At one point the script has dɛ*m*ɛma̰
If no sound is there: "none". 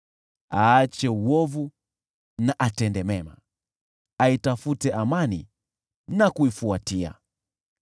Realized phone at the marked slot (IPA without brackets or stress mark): m